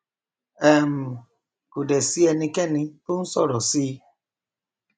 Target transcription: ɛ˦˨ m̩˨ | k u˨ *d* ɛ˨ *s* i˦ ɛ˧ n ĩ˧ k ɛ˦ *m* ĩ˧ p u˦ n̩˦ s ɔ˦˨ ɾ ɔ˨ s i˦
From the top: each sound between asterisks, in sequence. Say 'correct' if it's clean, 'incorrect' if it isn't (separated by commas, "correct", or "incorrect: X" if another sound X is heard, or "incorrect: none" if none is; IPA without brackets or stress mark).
correct, correct, incorrect: n